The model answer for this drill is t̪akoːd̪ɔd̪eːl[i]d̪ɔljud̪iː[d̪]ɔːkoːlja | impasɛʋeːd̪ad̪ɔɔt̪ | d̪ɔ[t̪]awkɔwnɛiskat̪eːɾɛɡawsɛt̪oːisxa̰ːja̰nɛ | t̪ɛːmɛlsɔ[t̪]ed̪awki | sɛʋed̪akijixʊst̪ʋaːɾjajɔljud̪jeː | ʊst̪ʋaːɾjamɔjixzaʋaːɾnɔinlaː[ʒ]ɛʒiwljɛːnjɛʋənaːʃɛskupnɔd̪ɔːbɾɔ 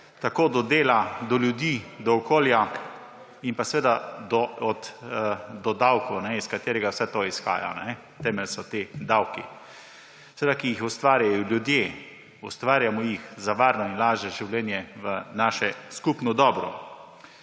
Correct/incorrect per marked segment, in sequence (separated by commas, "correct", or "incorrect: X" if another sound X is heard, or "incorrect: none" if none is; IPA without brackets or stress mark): incorrect: a, correct, incorrect: d̪, correct, correct